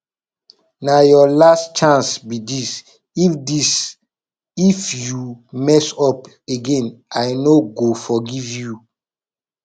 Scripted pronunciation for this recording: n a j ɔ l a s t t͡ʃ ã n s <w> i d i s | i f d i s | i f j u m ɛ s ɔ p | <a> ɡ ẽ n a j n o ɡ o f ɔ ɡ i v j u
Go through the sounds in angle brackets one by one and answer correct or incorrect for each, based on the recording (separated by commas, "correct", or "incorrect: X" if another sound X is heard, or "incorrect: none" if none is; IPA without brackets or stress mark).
incorrect: b, incorrect: e